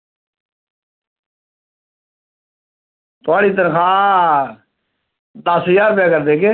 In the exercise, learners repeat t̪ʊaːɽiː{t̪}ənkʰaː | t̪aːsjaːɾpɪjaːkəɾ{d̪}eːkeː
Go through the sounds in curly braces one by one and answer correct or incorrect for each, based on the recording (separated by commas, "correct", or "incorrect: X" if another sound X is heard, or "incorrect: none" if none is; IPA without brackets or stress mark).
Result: correct, correct